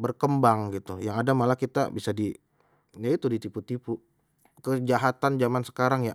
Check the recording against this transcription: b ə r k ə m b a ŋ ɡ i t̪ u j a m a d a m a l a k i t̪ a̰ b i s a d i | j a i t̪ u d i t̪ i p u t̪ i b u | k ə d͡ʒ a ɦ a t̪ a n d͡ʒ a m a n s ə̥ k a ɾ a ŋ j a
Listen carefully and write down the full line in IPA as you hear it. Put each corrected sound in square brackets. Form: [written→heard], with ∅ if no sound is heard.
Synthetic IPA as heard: b ə r k ə m b a ŋ ɡ i t̪ u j a [m→ŋ] a d a m a l a k i t̪ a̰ b i s a d i | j a i t̪ u d i t̪ i p u t̪ i [b→p] u | k ə d͡ʒ a ɦ a t̪ a n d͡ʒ a m a n s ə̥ k a ɾ a ŋ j a